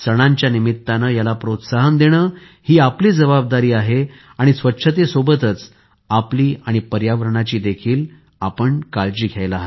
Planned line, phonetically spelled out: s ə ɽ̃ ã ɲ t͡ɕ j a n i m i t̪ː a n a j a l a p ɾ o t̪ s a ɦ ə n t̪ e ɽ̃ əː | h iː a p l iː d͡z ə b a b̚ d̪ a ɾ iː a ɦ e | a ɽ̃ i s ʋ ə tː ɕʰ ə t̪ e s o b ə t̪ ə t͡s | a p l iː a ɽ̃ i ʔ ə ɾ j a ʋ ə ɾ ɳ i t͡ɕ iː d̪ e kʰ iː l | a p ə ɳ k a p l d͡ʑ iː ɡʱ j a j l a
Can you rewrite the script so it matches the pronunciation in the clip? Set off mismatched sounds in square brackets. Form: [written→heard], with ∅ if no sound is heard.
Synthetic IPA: s ə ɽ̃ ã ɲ t͡ɕ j a n i m i t̪ː a n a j a l a p ɾ o t̪ s a ɦ ə n [t̪→d̪] e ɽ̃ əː | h iː a p l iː d͡z ə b a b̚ d̪ a ɾ iː a ɦ e | a ɽ̃ i s ʋ ə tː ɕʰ ə t̪ e s o b ə t̪ ə t͡s | a p l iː a ɽ̃ i [ʔ→p] ə ɾ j a ʋ ə ɾ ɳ [i→a] t͡ɕ iː d̪ e kʰ iː l | a p ə ɳ k a [p→∅] l d͡ʑ iː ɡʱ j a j l a